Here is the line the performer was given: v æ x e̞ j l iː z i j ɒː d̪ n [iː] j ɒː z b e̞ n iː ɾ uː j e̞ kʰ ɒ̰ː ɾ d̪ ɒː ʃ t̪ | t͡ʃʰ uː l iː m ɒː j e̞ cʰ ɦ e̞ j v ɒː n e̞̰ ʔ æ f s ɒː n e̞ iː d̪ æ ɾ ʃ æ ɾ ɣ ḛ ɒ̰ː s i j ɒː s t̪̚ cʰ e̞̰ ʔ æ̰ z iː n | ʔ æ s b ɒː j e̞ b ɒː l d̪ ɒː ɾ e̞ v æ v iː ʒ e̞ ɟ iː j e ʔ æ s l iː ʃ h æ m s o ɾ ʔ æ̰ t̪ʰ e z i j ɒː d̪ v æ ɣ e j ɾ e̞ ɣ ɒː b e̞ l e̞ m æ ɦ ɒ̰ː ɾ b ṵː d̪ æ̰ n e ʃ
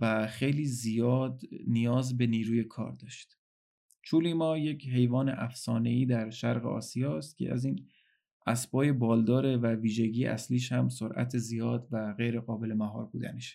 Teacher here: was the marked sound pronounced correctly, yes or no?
no